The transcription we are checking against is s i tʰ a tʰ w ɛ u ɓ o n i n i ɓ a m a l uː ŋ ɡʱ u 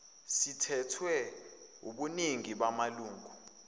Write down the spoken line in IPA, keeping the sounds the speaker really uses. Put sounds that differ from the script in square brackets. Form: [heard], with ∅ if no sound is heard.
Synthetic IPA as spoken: s i tʰ [ɛ] tʰ w ɛ u ɓ [u] n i [ŋ] i ɓ a m a l uː ŋ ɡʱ u